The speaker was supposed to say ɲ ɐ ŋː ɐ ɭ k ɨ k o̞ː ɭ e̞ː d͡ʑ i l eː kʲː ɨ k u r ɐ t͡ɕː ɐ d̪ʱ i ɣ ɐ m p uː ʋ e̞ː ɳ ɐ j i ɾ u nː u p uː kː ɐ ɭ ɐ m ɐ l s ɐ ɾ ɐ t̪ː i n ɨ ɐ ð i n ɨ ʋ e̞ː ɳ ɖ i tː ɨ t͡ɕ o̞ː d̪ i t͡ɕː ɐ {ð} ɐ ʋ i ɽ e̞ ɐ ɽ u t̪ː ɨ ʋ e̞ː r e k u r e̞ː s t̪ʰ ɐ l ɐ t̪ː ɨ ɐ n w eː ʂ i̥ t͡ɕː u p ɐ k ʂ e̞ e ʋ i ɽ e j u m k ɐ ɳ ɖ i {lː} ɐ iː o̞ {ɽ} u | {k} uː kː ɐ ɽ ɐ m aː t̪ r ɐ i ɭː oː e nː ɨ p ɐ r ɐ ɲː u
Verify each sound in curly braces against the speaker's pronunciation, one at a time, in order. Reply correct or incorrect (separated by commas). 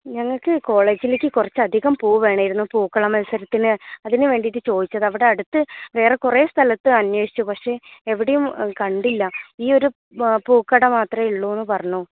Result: correct, correct, incorrect, incorrect